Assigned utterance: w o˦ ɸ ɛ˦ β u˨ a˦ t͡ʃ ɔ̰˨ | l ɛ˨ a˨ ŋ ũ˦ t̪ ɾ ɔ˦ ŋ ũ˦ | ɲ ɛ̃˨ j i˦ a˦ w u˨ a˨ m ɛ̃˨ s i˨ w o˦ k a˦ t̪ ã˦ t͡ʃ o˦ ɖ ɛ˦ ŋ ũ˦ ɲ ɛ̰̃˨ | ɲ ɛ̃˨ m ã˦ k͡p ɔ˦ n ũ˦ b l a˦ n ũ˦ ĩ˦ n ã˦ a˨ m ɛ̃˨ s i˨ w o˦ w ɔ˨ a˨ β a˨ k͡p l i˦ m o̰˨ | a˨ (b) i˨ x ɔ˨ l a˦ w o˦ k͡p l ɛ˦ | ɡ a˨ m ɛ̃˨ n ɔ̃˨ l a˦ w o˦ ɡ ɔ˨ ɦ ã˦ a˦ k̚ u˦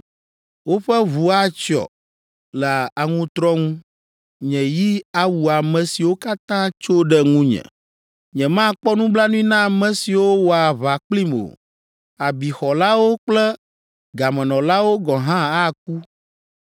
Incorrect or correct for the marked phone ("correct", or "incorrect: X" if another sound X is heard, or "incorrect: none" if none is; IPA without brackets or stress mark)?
correct